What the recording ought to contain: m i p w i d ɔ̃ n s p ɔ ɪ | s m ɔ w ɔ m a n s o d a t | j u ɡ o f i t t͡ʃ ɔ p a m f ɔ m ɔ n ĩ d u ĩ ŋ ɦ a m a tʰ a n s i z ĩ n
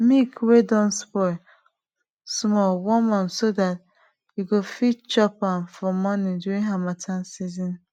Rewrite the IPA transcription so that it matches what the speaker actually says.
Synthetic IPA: m i k w e d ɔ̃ n s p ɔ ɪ | s m ɔ w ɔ m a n s o d a t | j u ɡ o f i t t͡ʃ ɔ p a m f ɔ m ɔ n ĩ d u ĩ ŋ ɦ a m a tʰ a n s i z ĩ n